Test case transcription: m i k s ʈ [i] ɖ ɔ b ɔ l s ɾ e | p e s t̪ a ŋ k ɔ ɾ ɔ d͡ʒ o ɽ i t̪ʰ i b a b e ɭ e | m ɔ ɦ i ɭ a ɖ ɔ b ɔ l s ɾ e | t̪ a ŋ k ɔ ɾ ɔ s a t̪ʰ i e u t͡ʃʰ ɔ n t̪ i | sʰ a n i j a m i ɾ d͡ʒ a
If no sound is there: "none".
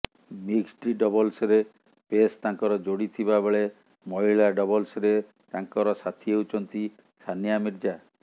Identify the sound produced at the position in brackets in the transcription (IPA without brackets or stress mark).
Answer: i